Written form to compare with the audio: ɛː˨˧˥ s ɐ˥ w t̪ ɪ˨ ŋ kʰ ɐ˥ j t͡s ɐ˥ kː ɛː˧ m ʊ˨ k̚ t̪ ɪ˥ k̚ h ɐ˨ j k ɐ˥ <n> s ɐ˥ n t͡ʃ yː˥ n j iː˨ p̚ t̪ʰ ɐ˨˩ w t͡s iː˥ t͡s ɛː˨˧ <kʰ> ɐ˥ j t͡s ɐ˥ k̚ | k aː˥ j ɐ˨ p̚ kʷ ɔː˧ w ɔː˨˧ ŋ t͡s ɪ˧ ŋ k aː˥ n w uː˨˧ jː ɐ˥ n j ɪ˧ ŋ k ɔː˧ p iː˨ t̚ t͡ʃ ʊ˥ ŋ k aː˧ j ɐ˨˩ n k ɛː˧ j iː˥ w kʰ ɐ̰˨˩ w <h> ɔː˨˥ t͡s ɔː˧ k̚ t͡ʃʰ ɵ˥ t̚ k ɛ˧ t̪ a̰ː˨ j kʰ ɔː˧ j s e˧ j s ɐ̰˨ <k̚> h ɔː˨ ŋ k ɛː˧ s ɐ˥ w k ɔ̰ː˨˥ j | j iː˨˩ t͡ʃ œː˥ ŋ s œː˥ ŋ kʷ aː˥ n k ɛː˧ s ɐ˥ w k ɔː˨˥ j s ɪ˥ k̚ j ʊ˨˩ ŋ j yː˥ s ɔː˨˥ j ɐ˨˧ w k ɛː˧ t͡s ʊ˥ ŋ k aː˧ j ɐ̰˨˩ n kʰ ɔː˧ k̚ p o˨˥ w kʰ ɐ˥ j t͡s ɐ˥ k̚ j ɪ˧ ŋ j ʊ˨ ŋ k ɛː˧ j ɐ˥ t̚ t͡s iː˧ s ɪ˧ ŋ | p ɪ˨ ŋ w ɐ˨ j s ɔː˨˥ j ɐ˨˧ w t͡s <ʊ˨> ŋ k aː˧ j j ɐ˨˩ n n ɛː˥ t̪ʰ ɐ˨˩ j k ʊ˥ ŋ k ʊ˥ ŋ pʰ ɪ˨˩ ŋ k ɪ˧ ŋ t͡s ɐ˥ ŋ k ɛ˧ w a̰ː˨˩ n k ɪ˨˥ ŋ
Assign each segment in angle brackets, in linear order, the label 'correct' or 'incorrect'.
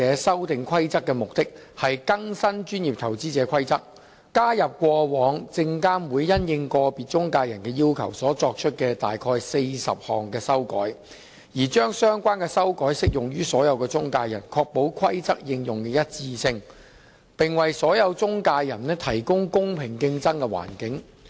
incorrect, correct, incorrect, incorrect, incorrect

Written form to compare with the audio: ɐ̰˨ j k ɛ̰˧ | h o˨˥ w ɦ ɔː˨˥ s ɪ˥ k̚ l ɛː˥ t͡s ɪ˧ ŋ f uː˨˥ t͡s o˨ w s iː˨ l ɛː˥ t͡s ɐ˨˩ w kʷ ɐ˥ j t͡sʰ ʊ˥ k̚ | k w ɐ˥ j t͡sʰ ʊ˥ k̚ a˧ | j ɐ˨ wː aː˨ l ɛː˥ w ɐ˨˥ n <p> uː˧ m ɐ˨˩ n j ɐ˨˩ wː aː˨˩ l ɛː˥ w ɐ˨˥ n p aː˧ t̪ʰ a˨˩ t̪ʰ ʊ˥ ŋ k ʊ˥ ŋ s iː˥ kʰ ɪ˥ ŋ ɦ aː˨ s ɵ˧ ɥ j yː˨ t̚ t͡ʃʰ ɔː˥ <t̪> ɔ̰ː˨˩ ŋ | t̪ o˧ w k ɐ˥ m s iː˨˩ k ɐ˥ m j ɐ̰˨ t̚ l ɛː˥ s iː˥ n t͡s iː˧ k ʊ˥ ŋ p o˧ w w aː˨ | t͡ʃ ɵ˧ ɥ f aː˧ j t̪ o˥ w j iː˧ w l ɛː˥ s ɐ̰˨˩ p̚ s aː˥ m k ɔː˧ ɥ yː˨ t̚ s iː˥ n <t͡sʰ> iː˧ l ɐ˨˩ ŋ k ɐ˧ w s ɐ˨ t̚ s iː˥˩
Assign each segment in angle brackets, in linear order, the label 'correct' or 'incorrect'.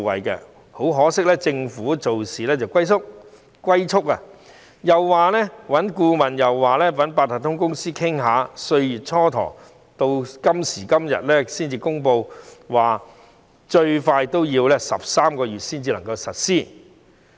incorrect, incorrect, incorrect

